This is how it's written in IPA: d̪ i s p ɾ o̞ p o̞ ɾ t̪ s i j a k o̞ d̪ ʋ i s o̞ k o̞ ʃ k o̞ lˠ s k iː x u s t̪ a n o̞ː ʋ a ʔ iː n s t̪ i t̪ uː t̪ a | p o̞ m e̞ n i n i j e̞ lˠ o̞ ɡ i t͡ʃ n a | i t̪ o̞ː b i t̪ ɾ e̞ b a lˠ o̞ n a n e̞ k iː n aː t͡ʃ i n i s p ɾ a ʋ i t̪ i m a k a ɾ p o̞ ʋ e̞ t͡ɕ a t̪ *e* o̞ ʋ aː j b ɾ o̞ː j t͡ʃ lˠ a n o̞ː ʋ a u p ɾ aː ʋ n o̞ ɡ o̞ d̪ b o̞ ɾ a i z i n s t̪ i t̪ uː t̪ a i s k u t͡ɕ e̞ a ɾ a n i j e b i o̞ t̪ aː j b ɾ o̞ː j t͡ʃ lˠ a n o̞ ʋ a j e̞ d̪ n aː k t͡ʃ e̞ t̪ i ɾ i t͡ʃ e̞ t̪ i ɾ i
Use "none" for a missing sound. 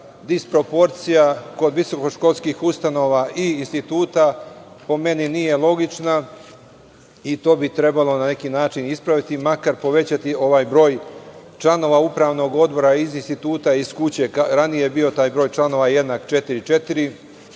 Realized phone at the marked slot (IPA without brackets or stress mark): i